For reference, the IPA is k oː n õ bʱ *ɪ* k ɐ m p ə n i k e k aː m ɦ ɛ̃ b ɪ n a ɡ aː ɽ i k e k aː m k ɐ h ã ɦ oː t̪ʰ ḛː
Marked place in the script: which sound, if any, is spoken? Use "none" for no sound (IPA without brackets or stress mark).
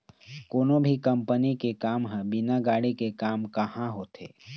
i